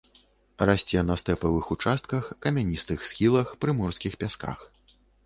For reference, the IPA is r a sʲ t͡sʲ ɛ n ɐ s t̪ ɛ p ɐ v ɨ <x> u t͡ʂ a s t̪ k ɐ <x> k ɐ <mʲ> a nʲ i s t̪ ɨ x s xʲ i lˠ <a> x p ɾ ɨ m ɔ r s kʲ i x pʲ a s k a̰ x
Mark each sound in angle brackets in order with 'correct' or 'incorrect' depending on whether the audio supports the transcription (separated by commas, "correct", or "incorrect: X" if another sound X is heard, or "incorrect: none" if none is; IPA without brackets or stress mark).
correct, correct, correct, incorrect: ɐ